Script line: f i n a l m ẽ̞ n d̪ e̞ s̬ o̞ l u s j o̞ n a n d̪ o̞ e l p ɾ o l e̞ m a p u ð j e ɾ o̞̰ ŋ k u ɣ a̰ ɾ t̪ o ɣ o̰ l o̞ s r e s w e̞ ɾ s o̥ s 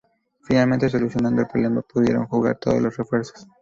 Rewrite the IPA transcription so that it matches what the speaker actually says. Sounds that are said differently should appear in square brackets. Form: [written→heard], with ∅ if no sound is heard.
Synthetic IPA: f i n a l m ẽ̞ n [d̪→t̪] e̞ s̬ o̞ l u s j o̞ n a n d̪ o̞ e l p ɾ o l e̞ m a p u ð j e ɾ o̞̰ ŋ [k→x] u ɣ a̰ ɾ t̪ o [ɣ→ð] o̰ l o̞ s r e [s→f] w e̞ ɾ s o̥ s